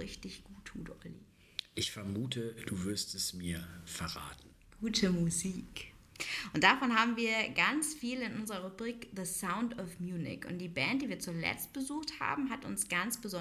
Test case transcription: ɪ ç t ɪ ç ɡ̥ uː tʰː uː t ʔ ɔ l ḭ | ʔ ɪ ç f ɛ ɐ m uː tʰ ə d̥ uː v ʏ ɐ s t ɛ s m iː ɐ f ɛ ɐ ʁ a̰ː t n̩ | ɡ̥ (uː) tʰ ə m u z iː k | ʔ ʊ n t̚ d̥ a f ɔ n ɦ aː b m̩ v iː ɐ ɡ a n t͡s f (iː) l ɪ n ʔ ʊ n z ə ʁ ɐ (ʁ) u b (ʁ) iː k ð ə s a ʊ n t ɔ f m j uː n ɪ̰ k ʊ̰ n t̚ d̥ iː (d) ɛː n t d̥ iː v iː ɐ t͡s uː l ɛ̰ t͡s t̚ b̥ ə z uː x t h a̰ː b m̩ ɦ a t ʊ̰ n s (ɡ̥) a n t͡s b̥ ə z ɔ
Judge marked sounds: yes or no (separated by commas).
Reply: yes, yes, yes, yes, no, yes